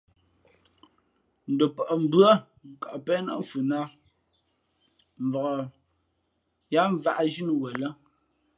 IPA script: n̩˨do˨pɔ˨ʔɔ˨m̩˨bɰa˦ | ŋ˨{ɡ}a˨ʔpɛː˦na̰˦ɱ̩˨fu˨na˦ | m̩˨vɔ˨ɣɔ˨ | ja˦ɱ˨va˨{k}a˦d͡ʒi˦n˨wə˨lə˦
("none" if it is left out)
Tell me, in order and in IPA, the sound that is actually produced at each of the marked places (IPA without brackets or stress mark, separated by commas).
k, ʔ